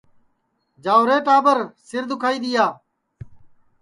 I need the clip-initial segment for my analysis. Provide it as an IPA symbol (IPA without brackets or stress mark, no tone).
d͡ʒ